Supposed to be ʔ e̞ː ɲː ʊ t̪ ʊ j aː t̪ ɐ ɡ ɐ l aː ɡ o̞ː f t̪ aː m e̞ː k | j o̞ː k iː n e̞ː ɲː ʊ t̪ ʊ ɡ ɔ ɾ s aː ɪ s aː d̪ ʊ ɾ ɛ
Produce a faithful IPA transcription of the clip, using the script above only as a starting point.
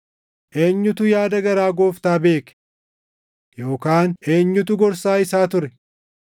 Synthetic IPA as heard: ʔ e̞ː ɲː ʊ t̪ ʊ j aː d̪ ɐ ɡ ɐ ɾ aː ɡ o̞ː f t̪ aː b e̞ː k | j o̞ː k aː n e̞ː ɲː ʊ t̪ ʊ ɡ ɔ ɾ s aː ɪ s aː t̪ ʊ ɾ ɛ